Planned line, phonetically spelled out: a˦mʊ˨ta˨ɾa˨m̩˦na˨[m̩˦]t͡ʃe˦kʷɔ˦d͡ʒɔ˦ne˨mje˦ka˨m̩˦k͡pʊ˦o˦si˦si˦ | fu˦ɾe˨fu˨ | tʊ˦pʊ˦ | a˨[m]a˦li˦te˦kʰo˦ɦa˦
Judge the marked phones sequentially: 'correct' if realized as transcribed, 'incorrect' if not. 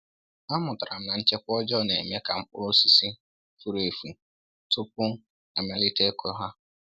incorrect, correct

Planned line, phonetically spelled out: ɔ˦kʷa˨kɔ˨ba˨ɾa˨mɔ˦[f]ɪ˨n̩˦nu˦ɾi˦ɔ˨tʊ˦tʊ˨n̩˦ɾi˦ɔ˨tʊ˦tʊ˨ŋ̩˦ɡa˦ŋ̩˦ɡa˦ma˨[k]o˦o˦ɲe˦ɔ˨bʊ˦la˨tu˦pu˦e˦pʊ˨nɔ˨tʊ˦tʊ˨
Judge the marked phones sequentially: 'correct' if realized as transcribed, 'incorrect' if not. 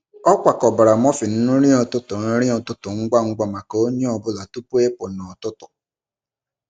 correct, correct

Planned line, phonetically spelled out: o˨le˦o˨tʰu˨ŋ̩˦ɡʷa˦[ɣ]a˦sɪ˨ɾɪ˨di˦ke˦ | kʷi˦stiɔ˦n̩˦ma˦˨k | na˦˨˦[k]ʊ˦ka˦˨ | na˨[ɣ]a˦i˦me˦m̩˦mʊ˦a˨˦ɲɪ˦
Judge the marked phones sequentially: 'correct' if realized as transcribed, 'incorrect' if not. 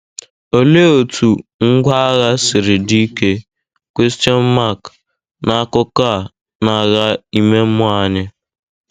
correct, correct, correct

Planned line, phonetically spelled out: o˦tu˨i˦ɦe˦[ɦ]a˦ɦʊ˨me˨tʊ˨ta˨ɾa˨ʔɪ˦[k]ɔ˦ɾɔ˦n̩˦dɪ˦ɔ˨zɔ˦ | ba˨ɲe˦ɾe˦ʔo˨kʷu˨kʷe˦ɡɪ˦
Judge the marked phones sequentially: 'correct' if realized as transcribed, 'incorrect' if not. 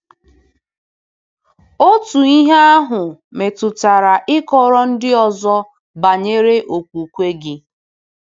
incorrect, correct

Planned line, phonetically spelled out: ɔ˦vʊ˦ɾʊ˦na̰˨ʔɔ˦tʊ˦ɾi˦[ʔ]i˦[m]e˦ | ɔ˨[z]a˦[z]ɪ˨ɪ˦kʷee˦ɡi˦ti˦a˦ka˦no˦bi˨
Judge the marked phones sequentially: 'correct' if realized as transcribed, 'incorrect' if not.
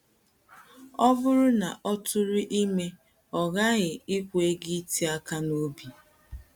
correct, correct, incorrect, incorrect

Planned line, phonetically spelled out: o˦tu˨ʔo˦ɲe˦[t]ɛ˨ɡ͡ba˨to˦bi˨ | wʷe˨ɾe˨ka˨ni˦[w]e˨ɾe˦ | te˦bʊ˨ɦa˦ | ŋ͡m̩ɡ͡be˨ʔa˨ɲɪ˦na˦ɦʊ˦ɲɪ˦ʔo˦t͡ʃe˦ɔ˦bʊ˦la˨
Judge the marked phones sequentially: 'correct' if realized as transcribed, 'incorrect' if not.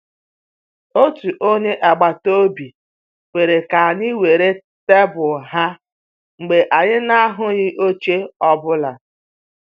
incorrect, correct

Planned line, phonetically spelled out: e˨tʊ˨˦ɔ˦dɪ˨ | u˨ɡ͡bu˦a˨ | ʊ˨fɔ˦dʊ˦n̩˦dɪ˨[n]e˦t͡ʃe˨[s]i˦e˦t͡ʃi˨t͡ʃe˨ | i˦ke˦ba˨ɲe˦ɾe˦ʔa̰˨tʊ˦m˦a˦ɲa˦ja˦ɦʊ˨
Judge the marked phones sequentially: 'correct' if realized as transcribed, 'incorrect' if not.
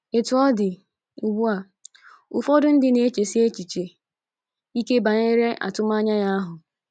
correct, correct

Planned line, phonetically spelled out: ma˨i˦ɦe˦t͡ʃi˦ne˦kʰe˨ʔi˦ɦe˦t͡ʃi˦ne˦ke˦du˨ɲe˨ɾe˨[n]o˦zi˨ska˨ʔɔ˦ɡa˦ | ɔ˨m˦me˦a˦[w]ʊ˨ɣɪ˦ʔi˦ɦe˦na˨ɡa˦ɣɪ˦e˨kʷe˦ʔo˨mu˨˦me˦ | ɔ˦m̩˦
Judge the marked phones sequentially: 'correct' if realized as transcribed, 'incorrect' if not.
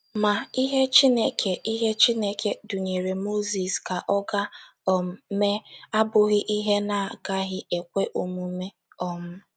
incorrect, incorrect

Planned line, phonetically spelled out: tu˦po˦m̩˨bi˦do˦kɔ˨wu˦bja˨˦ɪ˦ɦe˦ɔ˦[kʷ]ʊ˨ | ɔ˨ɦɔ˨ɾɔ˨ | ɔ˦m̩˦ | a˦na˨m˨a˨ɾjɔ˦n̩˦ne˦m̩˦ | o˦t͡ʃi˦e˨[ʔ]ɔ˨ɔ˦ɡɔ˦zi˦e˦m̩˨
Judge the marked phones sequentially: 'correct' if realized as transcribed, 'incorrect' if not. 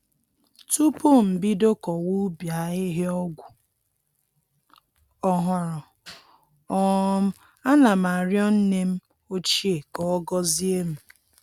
incorrect, incorrect

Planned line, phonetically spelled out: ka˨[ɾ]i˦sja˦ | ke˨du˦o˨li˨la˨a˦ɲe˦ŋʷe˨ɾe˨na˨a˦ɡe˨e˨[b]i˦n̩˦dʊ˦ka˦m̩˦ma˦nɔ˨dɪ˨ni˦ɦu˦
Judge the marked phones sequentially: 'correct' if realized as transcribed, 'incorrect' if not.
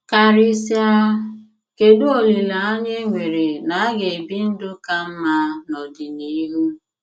correct, correct

